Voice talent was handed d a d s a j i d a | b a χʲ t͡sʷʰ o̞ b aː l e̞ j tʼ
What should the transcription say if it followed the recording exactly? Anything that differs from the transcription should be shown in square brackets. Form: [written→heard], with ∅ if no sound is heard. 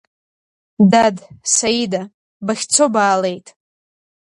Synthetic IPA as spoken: d a d s a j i d a | b a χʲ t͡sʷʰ o̞ b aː l e̞ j tʼ